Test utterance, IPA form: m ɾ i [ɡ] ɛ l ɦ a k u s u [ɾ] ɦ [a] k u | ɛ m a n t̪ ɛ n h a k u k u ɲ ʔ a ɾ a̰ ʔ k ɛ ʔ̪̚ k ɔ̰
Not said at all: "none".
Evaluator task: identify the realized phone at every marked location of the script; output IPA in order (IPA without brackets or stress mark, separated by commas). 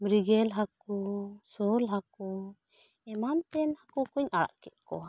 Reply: ɡ, l, a